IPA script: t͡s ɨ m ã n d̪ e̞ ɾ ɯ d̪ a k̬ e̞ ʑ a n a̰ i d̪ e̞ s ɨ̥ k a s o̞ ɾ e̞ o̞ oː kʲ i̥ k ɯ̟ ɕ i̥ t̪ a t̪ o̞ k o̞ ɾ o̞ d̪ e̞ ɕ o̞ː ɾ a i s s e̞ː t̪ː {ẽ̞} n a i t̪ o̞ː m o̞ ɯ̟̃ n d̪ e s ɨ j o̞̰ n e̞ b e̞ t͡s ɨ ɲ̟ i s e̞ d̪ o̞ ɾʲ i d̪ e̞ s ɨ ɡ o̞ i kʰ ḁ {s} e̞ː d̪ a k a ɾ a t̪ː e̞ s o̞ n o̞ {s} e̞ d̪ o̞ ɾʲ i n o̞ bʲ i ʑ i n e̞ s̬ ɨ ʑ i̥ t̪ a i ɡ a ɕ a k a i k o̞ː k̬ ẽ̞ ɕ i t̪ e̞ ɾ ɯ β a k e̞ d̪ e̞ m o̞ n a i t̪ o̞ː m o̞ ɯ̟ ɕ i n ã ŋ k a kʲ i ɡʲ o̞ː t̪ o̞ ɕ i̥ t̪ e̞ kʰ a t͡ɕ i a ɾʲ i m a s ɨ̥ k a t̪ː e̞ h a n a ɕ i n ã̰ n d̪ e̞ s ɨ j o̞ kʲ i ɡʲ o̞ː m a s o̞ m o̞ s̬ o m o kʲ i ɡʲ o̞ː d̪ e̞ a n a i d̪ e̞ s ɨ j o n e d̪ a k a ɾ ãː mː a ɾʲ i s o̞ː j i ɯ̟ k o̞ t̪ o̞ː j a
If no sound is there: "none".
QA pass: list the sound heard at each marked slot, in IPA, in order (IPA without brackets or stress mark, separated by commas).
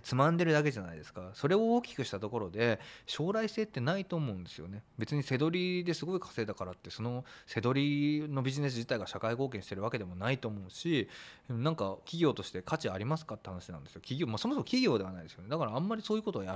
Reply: e̞, s, s